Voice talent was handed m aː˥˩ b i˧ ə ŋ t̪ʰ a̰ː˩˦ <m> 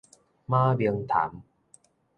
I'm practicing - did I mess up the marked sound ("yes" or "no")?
no